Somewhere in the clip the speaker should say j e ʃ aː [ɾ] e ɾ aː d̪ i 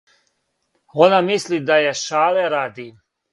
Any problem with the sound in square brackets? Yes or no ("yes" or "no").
yes